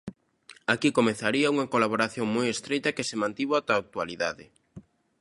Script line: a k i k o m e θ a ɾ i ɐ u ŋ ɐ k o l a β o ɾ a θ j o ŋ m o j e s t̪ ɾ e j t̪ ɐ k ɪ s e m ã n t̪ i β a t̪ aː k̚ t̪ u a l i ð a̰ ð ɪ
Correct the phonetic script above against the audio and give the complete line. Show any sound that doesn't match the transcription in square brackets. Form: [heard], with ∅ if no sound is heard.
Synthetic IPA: a k i k o m e θ a ɾ i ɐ u ŋ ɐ k o l a β o ɾ a θ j o ŋ m o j e s t̪ ɾ e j t̪ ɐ k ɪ s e m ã n t̪ i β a t̪ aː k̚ t̪ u a l i ð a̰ ð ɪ